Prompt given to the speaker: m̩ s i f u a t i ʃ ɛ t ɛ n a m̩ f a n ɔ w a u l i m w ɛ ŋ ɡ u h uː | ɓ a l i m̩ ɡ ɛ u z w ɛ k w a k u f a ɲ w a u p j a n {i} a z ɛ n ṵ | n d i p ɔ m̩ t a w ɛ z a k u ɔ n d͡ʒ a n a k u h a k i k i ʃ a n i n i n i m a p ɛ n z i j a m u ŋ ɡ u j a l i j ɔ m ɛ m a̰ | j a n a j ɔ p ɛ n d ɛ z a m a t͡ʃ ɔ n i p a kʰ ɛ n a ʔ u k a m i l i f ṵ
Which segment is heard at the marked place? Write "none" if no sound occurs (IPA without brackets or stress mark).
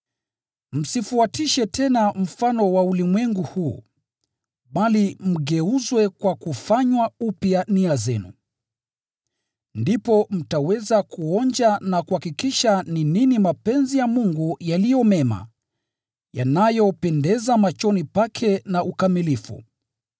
i